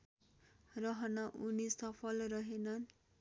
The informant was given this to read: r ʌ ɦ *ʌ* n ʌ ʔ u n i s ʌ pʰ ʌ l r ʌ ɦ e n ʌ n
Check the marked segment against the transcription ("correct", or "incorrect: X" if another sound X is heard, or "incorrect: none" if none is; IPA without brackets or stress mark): correct